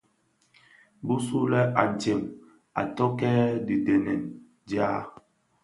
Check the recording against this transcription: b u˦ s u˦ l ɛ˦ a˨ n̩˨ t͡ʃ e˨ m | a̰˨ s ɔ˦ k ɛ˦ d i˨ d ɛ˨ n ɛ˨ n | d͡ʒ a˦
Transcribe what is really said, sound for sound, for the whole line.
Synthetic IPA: b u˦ s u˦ l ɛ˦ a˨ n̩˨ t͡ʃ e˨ m | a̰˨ t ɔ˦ k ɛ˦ d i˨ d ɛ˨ n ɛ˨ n | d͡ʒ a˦